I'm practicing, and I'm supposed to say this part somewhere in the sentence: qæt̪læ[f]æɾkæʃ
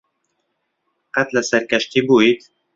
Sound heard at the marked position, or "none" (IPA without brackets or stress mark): s